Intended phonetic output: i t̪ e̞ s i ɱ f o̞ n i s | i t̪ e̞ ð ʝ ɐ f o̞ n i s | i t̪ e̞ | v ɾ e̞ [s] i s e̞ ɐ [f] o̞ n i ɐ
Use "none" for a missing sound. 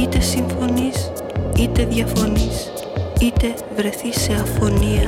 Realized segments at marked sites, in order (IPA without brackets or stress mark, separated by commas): θ, f